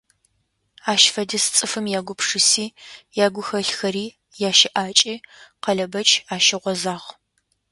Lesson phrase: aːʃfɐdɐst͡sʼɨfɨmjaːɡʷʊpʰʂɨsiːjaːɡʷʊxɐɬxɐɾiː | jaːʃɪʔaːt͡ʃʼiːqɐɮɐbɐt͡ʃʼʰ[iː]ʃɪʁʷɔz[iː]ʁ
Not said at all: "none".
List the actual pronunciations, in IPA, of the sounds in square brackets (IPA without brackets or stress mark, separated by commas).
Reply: aː, aː